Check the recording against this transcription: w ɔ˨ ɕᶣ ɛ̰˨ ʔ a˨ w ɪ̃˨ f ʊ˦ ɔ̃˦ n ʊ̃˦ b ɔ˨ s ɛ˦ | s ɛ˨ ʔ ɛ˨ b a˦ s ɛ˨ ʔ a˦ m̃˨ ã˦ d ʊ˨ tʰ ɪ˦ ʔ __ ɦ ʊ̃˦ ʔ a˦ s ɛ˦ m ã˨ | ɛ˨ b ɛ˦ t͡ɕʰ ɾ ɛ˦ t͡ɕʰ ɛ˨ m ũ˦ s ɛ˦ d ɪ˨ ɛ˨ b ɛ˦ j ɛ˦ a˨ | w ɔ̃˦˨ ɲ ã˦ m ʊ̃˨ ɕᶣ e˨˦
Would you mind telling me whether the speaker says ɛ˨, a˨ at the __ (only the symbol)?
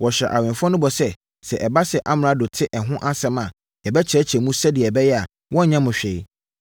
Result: ɛ˨